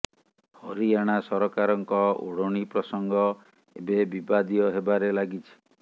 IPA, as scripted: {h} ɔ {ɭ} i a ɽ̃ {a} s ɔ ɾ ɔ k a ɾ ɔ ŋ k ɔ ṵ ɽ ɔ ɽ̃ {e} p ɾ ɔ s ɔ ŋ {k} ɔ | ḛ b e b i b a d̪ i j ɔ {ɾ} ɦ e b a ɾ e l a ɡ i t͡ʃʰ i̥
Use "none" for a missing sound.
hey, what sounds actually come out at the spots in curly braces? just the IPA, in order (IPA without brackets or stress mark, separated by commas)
h, ɾ, a, i, ɡ, none